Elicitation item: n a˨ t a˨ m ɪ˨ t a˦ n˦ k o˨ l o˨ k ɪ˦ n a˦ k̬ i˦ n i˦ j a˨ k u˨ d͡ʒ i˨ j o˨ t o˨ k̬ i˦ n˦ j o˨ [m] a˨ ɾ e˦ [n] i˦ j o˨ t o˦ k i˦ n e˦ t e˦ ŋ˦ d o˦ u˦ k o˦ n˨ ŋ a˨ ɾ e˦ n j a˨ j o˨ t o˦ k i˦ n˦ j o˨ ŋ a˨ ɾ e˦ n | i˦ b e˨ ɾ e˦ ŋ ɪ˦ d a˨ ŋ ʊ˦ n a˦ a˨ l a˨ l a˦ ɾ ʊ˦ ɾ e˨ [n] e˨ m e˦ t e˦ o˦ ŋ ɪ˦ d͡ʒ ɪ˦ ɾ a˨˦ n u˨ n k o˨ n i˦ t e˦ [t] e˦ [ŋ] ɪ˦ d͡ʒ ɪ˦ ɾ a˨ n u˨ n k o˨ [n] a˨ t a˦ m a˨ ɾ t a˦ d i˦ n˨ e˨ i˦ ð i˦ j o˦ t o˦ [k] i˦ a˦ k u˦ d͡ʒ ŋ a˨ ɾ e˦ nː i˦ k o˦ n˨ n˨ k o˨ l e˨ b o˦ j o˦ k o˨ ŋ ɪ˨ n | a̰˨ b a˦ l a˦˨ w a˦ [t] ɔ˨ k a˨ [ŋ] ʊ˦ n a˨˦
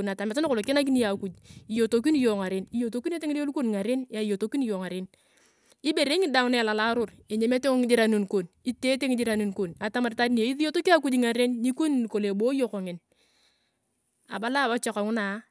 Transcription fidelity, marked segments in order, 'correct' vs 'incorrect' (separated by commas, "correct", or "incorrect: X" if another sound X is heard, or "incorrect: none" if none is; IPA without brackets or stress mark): incorrect: ŋ, correct, incorrect: ɲ, correct, correct, correct, correct, incorrect: t͡ʃ, correct